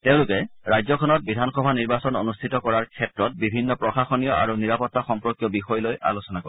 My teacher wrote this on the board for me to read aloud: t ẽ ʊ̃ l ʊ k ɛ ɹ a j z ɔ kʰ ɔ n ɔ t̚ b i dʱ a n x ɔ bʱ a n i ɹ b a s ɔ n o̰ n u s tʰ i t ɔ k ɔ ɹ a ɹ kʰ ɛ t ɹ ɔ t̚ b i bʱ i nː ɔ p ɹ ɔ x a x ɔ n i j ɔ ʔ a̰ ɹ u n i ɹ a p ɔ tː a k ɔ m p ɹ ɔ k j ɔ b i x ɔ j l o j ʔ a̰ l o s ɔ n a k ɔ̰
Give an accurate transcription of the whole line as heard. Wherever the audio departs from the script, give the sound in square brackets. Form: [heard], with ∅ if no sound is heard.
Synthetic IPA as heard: t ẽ ʊ̃ l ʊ k ɛ ɹ a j z ɔ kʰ ɔ n ɔ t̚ b i dʱ a n x ɔ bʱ a n i ɹ b a s ɔ n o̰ n u s tʰ i t ɔ k ɔ ɹ a ɹ kʰ ɛ t ɹ ɔ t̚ b i bʱ i nː ɔ p ɹ ɔ x a x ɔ n i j ɔ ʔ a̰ ɹ u n i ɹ a p ɔ tː a [x] ɔ m p ɹ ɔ k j ɔ b i x ɔ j l o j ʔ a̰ l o s ɔ n a k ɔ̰

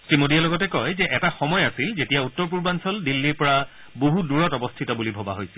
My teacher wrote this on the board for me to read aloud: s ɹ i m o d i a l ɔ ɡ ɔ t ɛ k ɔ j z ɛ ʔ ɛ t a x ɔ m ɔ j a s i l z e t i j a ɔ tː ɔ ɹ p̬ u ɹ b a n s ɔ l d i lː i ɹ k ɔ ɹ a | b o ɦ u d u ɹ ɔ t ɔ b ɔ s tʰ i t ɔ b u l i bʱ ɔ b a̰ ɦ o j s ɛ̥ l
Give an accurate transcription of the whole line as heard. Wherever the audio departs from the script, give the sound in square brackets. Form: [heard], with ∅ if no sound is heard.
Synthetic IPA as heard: s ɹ i m o d i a l ɔ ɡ ɔ t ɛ k ɔ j z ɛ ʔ ɛ t a x ɔ m ɔ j a s i l z e t i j a [u] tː ɔ ɹ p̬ u ɹ b a n s ɔ l d i lː i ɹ [p] ɔ ɹ a | b o ɦ u d u ɹ ɔ t ɔ b ɔ s tʰ i t ɔ b u l i bʱ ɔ b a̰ ɦ o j s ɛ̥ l

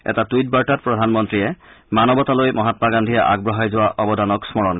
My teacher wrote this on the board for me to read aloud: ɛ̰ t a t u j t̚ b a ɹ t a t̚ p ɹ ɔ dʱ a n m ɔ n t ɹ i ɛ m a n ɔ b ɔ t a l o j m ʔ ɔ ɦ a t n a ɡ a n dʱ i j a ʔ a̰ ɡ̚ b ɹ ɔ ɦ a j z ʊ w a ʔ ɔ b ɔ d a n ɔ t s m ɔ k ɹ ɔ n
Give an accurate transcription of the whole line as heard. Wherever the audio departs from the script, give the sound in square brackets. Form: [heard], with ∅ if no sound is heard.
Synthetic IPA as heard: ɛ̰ t a t u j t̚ b a ɹ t a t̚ p ɹ ɔ dʱ a n m ɔ n t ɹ i ɛ m a n ɔ b ɔ t a l o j m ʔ ɔ ɦ a t [m] a ɡ a n dʱ i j a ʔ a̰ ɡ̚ b ɹ ɔ ɦ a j z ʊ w a ʔ ɔ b ɔ d a n ɔ [k] s m ɔ [∅] ɹ ɔ n

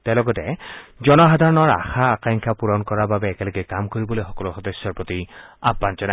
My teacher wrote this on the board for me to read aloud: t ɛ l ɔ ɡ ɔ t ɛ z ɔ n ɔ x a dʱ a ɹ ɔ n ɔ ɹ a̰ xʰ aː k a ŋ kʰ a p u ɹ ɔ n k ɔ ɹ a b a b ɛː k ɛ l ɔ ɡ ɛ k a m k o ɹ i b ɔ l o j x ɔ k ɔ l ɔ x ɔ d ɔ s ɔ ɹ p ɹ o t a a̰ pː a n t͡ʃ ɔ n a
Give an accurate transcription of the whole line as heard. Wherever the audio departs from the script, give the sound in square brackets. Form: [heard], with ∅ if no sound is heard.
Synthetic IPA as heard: t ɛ l ɔ ɡ ɔ t ɛ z ɔ n ɔ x a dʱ a ɹ ɔ n ɔ ɹ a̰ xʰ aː k a ŋ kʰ a p u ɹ ɔ n k ɔ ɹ a b a b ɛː k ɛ l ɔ ɡ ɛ k a m k o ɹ i b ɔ l o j x ɔ k ɔ l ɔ x ɔ d ɔ s ɔ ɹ p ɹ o t [i] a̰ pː a n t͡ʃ ɔ n a

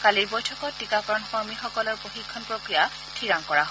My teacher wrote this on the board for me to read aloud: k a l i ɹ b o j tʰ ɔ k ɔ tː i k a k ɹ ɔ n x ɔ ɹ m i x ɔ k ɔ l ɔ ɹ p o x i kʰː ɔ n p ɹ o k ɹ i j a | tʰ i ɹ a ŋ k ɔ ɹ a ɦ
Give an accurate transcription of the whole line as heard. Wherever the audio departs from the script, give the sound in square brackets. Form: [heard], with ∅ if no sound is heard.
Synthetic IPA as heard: k a l i ɹ b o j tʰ ɔ k ɔ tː i k a k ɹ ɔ n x ɔ ɹ m i x ɔ k ɔ l ɔ ɹ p o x i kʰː ɔ n p ɹ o k ɹ i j a | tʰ i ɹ a ŋ k ɔ ɹ a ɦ

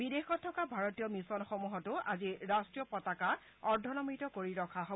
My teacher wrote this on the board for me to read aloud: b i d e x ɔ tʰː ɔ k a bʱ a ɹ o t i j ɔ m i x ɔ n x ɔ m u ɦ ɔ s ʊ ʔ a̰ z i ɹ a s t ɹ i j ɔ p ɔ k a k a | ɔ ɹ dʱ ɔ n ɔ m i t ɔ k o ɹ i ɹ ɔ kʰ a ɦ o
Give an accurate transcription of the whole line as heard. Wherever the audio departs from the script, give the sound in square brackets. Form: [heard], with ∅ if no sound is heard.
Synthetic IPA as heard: b i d e x ɔ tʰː ɔ k a bʱ a ɹ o t i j ɔ m i [s] ɔ n x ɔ m u ɦ ɔ [t] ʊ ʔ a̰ z i ɹ a s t ɹ i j ɔ p ɔ [t] a k a | ɔ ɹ dʱ ɔ n ɔ m i t ɔ k o ɹ i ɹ ɔ kʰ a ɦ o

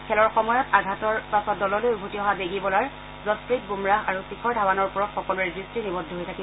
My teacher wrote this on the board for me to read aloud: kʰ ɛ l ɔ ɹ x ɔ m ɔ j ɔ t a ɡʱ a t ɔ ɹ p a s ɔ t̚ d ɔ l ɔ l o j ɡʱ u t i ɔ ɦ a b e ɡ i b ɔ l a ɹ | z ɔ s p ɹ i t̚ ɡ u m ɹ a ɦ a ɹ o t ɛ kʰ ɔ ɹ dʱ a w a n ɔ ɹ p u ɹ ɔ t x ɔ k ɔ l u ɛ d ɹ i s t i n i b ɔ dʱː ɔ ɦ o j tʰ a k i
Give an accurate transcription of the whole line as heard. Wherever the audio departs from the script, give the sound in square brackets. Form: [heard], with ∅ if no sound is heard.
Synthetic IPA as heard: kʰ ɛ l ɔ ɹ x ɔ m ɔ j ɔ t a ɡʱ a t ɔ ɹ p a s ɔ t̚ d ɔ l ɔ l o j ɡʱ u t i ɔ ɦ a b e ɡ i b ɔ l a ɹ | z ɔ s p ɹ i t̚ ɡ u m ɹ a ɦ a ɹ [u] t [i] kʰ ɔ ɹ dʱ a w a n ɔ ɹ p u ɹ ɔ t x ɔ k ɔ l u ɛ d ɹ i s t i n i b ɔ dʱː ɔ ɦ o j tʰ a k i

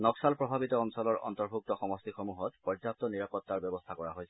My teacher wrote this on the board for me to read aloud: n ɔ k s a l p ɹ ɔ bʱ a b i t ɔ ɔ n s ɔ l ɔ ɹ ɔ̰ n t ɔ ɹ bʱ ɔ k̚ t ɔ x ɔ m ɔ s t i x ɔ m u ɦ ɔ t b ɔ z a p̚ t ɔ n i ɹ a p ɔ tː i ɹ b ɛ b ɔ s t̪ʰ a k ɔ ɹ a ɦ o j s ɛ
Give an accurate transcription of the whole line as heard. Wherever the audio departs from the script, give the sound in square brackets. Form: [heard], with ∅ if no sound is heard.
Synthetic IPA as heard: n ɔ k s a l p ɹ ɔ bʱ a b i t ɔ ɔ n s ɔ l ɔ ɹ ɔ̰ n t ɔ ɹ bʱ [u] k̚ t ɔ x ɔ m ɔ s t i x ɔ m u ɦ ɔ t [p] ɔ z a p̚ t ɔ n i ɹ a p ɔ tː [a] ɹ b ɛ b ɔ s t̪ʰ a k ɔ ɹ a ɦ o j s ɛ

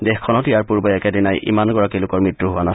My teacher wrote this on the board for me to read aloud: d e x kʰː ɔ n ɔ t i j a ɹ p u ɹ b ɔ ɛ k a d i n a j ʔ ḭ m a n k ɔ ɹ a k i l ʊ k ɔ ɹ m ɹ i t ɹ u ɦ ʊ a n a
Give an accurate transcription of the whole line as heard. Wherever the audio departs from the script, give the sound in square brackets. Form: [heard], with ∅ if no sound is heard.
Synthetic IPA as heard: d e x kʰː ɔ n ɔ t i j a ɹ p u ɹ b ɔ ɛ k [ɛ] d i n a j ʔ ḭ m a n [ɡ] ɔ ɹ a k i l ʊ k ɔ ɹ m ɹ i t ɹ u ɦ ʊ a n a

